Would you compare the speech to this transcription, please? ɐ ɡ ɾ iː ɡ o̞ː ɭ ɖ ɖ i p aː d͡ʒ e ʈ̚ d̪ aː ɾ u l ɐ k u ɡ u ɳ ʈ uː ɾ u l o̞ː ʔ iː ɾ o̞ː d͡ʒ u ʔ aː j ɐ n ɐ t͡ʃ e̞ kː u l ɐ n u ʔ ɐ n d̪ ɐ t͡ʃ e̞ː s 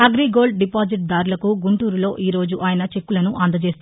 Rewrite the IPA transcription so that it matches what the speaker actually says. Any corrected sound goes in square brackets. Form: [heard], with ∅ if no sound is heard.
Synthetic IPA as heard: ɐ ɡ ɾ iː ɡ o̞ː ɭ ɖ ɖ i p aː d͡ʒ [i] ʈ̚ d̪ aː ɾ u l ɐ k u ɡ u ɳ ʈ uː ɾ u l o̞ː ʔ iː ɾ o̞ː d͡ʒ u ʔ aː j ɐ n ɐ t͡ʃ e̞ kː u l ɐ n u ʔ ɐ n d̪ ɐ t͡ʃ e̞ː s